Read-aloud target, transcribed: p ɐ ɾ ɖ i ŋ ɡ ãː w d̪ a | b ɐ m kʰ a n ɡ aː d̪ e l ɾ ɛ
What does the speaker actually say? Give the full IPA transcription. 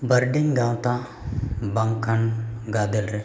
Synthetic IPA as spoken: b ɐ ɾ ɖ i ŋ ɡ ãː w t̪ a | b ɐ ŋ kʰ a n ɡ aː d̪ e l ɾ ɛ